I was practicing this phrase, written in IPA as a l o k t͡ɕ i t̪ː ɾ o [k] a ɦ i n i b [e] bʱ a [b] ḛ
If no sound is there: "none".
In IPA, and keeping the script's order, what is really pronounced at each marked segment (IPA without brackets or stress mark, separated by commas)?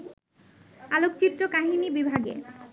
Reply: k, i, ɡ